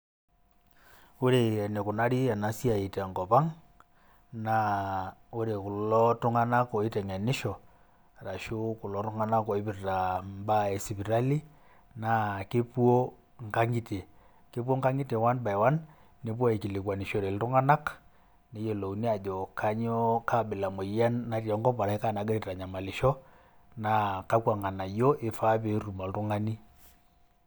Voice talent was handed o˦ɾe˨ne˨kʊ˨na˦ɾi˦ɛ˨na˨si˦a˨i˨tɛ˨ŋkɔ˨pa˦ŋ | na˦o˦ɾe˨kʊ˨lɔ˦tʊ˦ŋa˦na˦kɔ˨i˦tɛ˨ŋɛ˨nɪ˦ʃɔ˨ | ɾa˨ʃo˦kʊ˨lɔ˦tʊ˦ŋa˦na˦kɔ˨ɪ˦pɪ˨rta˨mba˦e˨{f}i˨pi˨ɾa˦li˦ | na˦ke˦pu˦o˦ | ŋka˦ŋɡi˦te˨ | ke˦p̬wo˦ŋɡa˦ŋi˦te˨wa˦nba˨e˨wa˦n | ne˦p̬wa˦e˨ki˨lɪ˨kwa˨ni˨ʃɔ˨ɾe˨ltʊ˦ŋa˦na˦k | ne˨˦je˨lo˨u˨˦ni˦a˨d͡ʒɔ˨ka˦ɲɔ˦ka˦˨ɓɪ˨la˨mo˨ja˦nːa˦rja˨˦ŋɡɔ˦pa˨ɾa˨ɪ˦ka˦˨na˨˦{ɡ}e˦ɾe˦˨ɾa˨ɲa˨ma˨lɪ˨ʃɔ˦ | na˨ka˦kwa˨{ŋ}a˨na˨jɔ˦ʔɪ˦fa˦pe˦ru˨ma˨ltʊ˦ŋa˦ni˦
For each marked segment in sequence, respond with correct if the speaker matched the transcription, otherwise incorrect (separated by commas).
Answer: incorrect, correct, correct